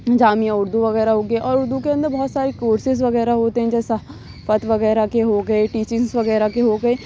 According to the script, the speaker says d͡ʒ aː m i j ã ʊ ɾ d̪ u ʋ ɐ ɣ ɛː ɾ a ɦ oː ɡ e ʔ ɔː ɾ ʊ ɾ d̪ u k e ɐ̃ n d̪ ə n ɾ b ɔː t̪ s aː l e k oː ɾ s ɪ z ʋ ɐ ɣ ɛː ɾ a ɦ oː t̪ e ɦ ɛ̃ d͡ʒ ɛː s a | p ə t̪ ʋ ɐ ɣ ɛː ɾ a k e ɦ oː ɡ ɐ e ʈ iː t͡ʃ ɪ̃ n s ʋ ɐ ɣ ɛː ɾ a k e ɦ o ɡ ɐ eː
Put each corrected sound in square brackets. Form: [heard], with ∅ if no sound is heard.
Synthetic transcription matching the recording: d͡ʒ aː m i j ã ʊ ɾ d̪ u ʋ ɐ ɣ ɛː ɾ a ɦ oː ɡ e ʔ ɔː ɾ ʊ ɾ d̪ u k e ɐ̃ n d̪ ə [∅] ɾ b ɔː t̪ s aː [ɾ] e k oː ɾ s ɪ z ʋ ɐ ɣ ɛː ɾ a ɦ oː t̪ e ɦ ɛ̃ d͡ʒ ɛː s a | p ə t̪ ʋ ɐ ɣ ɛː ɾ a k e ɦ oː ɡ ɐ e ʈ iː t͡ʃ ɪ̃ [ŋ] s ʋ ɐ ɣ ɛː ɾ a k e ɦ o ɡ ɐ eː